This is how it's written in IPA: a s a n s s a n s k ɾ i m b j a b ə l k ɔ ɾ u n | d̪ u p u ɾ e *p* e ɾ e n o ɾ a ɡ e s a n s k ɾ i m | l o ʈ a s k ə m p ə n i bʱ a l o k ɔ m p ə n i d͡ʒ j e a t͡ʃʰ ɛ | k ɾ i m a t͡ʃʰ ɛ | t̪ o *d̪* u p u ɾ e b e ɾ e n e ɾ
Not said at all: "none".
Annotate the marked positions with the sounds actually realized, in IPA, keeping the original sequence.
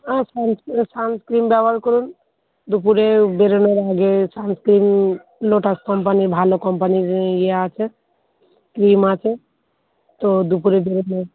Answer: b, d̪

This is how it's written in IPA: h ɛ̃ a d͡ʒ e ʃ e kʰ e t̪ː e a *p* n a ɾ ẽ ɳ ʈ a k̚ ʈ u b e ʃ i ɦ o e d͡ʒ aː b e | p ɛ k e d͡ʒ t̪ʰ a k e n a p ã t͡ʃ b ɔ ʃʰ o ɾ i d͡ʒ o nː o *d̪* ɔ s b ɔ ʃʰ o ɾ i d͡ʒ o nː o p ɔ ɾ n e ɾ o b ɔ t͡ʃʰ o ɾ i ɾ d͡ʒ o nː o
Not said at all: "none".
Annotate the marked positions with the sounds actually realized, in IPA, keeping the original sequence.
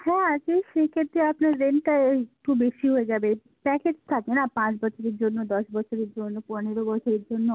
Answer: p, d̪

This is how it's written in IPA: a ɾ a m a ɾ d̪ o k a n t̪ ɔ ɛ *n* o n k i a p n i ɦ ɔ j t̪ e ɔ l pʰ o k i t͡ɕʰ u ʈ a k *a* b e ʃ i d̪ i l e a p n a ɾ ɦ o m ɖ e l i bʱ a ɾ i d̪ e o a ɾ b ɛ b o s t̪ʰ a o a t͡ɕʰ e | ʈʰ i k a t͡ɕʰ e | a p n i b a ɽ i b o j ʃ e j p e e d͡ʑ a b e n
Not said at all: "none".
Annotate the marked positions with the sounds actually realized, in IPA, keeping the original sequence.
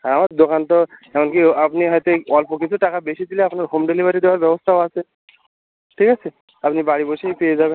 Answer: m, a

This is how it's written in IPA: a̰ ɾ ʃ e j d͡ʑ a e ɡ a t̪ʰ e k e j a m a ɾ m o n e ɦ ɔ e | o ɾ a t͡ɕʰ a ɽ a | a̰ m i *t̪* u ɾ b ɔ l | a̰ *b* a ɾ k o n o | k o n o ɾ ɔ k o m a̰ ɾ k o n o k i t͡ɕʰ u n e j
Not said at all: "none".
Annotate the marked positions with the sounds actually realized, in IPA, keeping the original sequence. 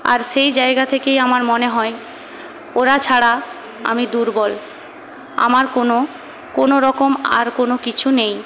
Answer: d̪, m

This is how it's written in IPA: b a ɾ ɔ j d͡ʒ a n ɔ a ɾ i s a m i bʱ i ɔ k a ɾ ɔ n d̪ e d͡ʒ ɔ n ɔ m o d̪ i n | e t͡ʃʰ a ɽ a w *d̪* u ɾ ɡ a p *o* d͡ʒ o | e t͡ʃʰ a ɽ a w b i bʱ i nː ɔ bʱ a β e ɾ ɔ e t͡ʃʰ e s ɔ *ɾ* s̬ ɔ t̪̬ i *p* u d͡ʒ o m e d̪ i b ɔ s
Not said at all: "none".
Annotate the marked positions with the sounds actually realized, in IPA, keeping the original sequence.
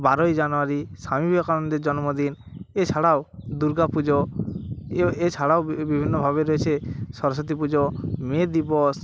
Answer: d̪, u, ɾ, p

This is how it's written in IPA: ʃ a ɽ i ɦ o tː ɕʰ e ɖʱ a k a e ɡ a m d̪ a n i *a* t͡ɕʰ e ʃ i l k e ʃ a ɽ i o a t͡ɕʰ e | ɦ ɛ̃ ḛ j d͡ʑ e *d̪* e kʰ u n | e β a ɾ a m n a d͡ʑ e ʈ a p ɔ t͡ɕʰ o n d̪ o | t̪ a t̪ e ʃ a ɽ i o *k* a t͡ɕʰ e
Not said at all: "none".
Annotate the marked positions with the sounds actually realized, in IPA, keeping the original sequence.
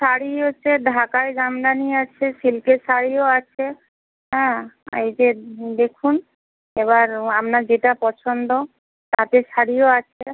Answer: a, d̪, none

